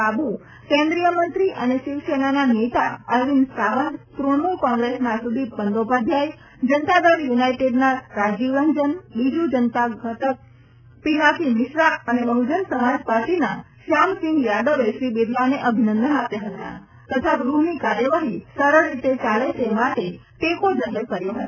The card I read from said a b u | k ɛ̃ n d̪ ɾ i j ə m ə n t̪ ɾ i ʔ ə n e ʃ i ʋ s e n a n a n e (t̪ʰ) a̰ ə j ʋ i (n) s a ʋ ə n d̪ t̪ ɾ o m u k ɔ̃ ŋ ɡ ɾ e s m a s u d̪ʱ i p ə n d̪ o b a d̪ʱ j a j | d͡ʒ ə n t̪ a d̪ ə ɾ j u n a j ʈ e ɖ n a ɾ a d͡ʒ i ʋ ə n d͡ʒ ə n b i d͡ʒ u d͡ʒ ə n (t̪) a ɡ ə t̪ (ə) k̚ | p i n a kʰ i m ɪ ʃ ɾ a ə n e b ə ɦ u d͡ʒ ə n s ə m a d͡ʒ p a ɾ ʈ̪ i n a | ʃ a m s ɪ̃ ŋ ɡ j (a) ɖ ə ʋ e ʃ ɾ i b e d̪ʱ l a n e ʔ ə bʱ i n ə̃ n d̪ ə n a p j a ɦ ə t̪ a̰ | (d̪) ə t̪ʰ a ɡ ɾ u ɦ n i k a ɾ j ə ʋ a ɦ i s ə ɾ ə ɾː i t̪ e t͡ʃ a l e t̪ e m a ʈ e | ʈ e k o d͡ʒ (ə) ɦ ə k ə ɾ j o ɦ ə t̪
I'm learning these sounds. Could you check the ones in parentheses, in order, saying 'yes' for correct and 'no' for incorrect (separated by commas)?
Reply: no, yes, yes, yes, yes, no, yes